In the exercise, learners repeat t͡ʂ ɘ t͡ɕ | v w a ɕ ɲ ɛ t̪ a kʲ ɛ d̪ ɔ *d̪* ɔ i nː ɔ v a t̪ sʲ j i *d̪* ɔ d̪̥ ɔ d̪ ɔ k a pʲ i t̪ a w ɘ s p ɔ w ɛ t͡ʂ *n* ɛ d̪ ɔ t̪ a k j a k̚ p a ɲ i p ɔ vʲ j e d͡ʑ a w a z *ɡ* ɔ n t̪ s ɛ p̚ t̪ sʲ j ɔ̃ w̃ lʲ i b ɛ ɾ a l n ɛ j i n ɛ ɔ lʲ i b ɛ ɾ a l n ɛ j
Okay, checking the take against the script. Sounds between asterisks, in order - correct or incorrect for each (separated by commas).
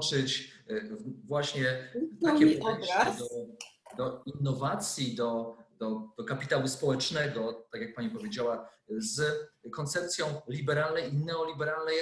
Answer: correct, correct, correct, incorrect